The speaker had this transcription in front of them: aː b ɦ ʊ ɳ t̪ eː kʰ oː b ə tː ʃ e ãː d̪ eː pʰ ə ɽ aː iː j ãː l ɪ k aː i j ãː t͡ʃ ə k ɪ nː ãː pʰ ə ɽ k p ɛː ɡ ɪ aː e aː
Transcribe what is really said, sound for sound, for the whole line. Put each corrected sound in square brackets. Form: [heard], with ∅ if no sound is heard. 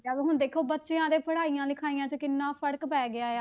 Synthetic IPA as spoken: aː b ɦ ʊ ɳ [d̪] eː kʰ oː b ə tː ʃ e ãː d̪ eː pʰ ə ɽ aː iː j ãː l ɪ [kʰ] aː i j ãː t͡ʃ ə k ɪ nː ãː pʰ ə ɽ k p ɛː ɡ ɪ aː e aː